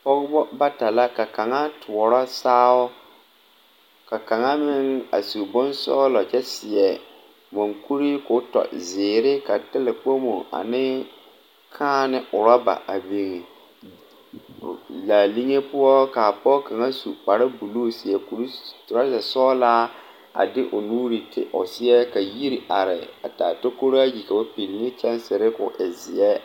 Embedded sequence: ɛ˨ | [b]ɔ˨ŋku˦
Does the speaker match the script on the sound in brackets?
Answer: no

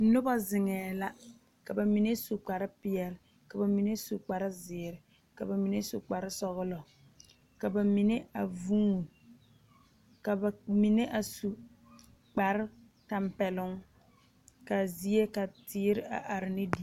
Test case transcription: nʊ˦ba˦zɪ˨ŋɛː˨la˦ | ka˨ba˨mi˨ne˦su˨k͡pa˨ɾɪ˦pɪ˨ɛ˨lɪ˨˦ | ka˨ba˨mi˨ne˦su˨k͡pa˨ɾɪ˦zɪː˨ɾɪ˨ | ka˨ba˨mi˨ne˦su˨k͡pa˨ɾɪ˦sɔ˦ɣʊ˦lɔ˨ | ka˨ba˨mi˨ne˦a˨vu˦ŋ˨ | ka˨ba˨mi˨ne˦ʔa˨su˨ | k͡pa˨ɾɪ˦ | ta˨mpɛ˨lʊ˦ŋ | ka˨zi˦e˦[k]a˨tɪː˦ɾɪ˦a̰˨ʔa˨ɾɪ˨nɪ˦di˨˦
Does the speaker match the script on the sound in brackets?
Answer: yes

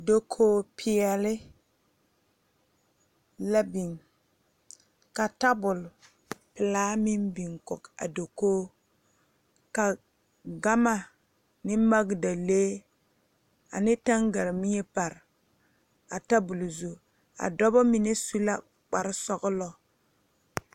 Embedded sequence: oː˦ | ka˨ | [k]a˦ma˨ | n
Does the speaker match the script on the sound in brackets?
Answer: no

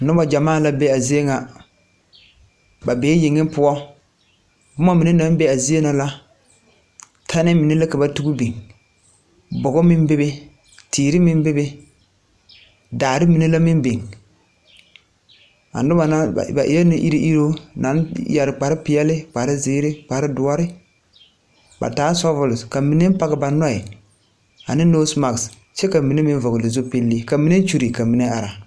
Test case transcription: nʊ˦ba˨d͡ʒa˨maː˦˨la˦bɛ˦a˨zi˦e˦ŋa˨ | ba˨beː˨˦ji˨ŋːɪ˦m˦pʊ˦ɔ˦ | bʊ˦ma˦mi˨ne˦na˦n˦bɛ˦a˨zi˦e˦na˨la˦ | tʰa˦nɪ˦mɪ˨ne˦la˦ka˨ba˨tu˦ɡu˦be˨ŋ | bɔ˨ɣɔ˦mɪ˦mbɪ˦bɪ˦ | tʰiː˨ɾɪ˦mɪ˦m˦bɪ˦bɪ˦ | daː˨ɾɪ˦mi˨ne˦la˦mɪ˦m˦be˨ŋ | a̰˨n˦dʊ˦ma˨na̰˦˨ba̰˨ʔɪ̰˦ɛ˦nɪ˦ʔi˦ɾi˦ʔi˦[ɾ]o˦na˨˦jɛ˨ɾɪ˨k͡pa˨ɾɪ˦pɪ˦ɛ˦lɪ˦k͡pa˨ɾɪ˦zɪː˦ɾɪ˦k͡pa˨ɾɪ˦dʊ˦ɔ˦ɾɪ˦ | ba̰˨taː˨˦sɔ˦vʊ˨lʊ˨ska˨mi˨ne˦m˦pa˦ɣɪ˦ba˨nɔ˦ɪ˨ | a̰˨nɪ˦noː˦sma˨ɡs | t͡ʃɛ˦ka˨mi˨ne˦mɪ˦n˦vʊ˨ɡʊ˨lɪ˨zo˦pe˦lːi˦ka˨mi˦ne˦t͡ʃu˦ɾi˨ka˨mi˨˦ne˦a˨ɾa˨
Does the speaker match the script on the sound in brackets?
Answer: yes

